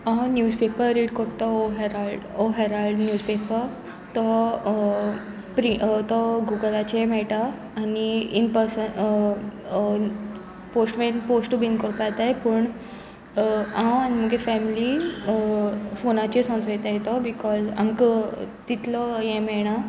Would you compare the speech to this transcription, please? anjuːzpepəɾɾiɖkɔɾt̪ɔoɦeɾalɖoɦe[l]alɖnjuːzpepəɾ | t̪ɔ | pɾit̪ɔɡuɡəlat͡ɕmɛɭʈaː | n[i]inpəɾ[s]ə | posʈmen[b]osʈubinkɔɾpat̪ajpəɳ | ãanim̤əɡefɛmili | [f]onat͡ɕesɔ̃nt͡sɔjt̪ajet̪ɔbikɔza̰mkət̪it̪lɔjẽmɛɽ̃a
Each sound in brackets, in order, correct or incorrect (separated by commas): incorrect, correct, correct, incorrect, correct